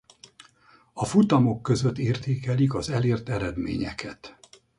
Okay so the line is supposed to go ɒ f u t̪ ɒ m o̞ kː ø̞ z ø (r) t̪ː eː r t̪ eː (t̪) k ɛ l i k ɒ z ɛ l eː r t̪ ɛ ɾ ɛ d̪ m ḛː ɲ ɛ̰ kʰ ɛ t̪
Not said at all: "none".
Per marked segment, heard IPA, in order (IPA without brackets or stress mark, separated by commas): none, none